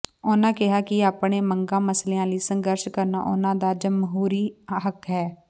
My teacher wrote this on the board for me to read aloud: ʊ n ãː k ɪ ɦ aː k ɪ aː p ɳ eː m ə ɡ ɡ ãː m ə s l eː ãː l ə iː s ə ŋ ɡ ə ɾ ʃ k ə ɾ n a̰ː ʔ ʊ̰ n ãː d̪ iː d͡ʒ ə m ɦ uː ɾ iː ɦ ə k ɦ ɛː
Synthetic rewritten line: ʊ n ãː k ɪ ɦ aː k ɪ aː p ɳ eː m ə ŋ ɡ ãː m ə s l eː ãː l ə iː s ə ŋ ɡ ə ɾ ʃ k ə ɾ n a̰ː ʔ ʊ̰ n ãː d̪ aː d͡ʒ ə m ɦ uː ɾ iː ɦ ə k ɦ ɛː